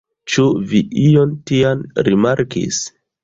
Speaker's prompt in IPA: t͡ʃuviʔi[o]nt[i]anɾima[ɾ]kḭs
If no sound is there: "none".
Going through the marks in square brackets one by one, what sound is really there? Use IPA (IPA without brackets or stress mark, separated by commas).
o, i, ɾ